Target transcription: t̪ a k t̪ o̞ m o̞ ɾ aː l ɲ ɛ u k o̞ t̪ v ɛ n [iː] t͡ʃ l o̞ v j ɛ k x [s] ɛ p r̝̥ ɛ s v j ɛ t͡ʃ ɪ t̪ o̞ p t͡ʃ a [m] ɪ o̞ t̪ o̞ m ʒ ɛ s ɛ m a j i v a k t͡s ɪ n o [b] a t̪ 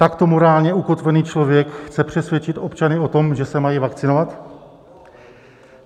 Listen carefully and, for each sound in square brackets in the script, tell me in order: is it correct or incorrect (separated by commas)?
correct, incorrect, incorrect, incorrect